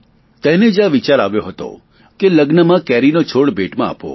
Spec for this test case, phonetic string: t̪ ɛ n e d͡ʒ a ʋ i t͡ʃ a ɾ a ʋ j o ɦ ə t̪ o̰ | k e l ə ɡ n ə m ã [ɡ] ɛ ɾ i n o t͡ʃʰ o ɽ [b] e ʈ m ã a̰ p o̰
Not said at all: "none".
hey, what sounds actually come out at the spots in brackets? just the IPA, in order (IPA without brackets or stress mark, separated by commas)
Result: k, b